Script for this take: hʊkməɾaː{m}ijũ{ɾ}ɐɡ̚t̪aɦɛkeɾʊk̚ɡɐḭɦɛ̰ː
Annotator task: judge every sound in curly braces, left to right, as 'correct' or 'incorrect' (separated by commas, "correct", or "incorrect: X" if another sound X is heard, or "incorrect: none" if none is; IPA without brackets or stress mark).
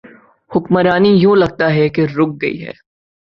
incorrect: n, incorrect: l